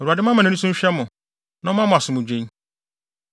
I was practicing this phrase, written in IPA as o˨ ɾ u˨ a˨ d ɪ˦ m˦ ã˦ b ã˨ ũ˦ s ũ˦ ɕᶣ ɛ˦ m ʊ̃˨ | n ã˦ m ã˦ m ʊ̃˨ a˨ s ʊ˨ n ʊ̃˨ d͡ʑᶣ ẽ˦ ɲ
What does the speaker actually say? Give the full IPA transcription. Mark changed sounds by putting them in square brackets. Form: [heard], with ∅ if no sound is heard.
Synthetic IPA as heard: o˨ ɾ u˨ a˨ d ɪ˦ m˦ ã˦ [m] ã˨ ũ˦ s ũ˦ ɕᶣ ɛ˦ m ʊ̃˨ | n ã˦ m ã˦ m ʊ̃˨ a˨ s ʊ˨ [m] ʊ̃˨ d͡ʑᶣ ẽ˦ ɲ